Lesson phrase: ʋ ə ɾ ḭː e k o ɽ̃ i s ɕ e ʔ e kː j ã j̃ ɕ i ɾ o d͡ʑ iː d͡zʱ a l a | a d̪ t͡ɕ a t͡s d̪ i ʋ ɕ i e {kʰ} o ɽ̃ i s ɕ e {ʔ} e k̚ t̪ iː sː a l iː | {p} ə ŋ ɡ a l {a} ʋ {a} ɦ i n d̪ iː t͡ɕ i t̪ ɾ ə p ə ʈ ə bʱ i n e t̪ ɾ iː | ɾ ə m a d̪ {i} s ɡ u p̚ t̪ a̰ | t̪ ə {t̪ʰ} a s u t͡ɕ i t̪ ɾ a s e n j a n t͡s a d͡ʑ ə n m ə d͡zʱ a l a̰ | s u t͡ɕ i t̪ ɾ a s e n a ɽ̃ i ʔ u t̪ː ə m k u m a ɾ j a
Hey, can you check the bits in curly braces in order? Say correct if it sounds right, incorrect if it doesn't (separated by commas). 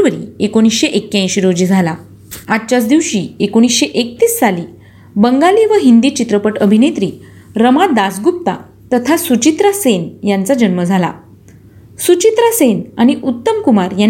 incorrect, correct, incorrect, incorrect, incorrect, incorrect, correct